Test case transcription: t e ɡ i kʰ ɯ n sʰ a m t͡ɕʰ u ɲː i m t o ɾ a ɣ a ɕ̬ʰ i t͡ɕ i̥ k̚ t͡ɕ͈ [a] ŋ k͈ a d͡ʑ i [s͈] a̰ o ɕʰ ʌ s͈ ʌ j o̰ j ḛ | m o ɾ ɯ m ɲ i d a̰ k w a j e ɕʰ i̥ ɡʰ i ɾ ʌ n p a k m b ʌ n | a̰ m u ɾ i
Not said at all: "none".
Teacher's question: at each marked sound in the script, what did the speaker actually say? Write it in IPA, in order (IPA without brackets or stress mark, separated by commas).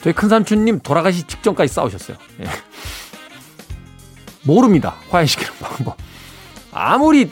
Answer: ʌ, s͈